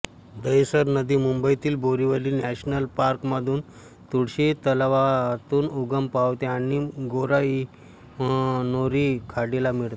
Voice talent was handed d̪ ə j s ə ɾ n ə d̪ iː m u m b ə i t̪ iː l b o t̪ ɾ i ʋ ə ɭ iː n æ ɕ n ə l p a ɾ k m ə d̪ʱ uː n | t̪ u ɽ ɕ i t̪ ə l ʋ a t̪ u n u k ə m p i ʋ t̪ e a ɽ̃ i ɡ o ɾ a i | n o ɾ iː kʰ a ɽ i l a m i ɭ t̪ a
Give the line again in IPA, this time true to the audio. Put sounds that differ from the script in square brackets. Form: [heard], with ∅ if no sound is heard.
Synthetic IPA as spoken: d̪ ə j s ə ɾ n ə d̪ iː m u m b ə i t̪ iː l b o [∅] ɾ i ʋ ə [l] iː n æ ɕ n ə l p a ɾ k m ə d̪ʱ uː n | t̪ u ɽ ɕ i t̪ ə l ʋ a t̪ [uː] n u [ɡ] ə m p [a] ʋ t̪ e a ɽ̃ i ɡ o ɾ a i | n o ɾ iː kʰ a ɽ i l a m i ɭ t̪ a